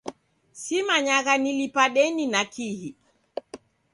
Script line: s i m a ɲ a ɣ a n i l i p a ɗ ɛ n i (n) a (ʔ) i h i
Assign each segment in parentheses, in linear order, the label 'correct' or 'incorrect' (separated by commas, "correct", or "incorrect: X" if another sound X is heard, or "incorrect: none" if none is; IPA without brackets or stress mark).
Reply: correct, incorrect: k